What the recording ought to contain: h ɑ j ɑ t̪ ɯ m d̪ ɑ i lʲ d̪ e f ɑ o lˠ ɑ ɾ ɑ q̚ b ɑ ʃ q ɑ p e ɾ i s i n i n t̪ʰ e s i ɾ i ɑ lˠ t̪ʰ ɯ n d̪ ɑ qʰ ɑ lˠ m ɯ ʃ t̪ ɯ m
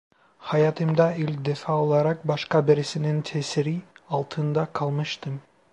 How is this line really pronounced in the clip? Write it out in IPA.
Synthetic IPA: h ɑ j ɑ t̪ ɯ m d̪ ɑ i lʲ d̪ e f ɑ o lˠ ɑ ɾ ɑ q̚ b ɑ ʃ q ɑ b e ɾ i s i n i n t̪ʰ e s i ɾ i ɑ lˠ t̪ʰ ɯ n d̪ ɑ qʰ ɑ lˠ m ɯ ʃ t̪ ɯ m